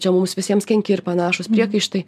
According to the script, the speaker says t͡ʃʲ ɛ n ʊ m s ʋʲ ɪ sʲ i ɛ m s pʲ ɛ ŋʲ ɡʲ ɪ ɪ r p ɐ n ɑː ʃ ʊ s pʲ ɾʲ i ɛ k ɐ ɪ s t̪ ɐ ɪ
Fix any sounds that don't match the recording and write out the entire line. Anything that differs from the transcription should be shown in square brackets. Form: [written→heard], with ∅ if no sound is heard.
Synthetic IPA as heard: t͡ʃʲ ɛ [n→m] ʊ m s ʋʲ ɪ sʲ i ɛ m s [pʲ→kʲ] ɛ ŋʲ [ɡʲ→kʲ] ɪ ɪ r p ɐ n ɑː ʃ ʊ s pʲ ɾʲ i ɛ k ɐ ɪ [s→ʃ] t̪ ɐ ɪ

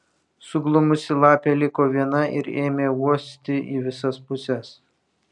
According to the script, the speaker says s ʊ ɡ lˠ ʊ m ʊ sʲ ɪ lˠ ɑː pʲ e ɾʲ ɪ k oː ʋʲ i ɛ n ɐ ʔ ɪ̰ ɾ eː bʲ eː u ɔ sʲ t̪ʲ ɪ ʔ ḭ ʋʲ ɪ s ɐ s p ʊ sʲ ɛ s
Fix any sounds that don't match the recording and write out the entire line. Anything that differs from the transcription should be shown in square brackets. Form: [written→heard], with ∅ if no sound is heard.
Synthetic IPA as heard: s ʊ ɡ lˠ ʊ m ʊ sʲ ɪ lˠ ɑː pʲ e [ɾʲ→lʲ] ɪ k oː ʋʲ i ɛ n ɐ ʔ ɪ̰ ɾ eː [bʲ→mʲ] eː u ɔ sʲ t̪ʲ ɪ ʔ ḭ ʋʲ ɪ s ɐ s p ʊ sʲ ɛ s

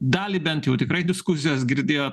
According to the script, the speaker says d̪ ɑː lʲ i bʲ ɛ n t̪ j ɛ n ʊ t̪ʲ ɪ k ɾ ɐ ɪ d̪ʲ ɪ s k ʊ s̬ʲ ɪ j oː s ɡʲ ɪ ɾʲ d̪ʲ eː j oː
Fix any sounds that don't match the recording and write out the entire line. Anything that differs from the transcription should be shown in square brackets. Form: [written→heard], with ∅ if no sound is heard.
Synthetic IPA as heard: d̪ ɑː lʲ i bʲ ɛ n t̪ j ɛ [n→∅] ʊ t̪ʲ ɪ k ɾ ɐ ɪ d̪ʲ ɪ s k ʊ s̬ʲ ɪ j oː s ɡʲ ɪ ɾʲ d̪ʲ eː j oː

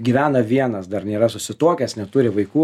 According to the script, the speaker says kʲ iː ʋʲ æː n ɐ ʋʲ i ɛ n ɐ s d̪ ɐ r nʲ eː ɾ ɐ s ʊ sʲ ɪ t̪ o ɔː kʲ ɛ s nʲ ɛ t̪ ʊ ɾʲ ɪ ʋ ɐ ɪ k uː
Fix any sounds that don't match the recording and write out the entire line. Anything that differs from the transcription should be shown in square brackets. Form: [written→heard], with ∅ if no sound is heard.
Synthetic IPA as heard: [kʲ→ɡʲ] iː ʋʲ æː n ɐ ʋʲ i ɛ n ɐ s d̪ ɐ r nʲ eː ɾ ɐ s ʊ sʲ ɪ t̪ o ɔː kʲ ɛ s nʲ ɛ t̪ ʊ ɾʲ ɪ ʋ ɐ ɪ k uː

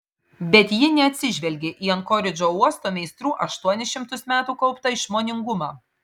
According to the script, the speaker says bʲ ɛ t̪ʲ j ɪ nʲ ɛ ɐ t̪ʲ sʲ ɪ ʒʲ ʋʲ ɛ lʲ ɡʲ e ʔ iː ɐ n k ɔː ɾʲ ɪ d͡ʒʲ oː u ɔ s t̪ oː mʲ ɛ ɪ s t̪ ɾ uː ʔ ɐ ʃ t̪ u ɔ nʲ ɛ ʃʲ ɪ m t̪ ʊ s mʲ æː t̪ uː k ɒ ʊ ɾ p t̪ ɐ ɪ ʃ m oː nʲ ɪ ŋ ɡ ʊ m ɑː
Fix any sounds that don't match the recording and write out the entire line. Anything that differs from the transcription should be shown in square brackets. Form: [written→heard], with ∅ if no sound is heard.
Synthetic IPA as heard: bʲ ɛ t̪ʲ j ɪ nʲ ɛ ɐ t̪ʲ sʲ ɪ ʒʲ ʋʲ ɛ lʲ ɡʲ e ʔ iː ɐ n k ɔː ɾʲ ɪ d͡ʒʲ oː u ɔ s t̪ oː mʲ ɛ ɪ s t̪ ɾ uː ʔ ɐ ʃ t̪ u ɔ nʲ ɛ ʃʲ ɪ m t̪ ʊ s mʲ æː t̪ uː k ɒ ʊ [ɾ→∅] p t̪ ɐ ɪ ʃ m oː nʲ ɪ ŋ ɡ ʊ m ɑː

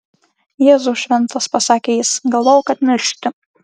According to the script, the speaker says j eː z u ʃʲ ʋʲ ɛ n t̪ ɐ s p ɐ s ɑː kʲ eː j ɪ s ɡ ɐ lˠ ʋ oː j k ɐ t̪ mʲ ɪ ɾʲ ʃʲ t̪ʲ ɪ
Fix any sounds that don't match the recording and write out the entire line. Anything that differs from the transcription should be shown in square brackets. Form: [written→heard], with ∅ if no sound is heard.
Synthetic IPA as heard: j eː z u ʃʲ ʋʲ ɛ n t̪ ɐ s p ɐ s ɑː kʲ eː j ɪ s ɡ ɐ lˠ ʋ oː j k ɐ t̪ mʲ ɪ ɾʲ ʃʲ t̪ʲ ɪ

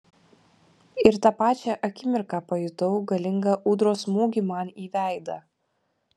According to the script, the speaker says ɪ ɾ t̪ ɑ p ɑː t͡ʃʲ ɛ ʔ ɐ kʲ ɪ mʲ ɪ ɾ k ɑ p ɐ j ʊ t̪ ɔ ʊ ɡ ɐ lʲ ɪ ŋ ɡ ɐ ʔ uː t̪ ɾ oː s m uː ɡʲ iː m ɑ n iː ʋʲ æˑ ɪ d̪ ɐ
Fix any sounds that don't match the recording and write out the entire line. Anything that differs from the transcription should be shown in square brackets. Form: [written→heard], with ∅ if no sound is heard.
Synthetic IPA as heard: ɪ ɾ t̪ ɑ p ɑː t͡ʃʲ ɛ ʔ ɐ kʲ ɪ mʲ ɪ ɾ k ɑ p ɐ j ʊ t̪ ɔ ʊ ɡ ɐ lʲ ɪ ŋ ɡ ɐ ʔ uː [t̪→d̪] ɾ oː s m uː ɡʲ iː m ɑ n iː ʋʲ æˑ ɪ d̪ ɐ

